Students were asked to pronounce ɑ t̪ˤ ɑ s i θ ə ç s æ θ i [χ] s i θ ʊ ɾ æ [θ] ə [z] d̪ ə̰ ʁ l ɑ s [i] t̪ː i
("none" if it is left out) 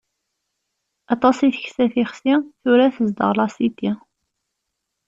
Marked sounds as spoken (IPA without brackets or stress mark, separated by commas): χ, θ, z, i